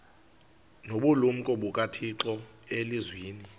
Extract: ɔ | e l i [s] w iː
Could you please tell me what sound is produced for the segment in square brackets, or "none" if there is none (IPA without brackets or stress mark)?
z